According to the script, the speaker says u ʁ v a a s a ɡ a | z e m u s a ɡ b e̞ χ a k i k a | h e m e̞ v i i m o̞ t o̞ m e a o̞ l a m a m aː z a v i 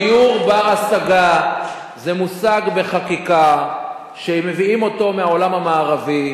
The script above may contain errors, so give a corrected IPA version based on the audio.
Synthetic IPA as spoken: u ʁ b a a s a ɡ a | z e m u s a ɡ b e̞ χ a k i k a | ʃ e m e̞ v i i m o̞ t o̞ m e a o̞ l a m a m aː ʁ a v i